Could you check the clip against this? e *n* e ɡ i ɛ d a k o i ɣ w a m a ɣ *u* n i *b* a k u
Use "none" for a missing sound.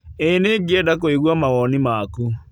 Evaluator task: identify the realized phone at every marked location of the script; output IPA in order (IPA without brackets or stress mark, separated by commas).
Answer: n, ɔ, m